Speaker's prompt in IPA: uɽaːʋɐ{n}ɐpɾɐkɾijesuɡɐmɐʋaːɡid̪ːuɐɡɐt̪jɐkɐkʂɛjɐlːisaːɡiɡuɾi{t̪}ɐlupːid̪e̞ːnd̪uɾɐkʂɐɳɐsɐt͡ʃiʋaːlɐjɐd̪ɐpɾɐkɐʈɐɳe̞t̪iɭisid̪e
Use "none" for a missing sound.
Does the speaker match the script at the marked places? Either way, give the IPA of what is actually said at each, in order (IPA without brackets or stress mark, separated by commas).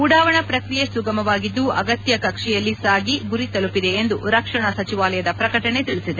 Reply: ɳ, t̪